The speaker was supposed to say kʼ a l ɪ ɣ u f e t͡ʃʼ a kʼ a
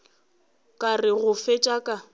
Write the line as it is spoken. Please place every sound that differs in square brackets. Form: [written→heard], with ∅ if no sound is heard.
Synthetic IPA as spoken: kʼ a [l→r] ɪ ɣ [u→ʊ] f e t͡ʃʼ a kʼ a